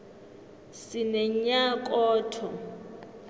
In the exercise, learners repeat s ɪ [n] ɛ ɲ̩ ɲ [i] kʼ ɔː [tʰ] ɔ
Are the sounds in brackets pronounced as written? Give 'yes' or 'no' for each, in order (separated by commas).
yes, no, yes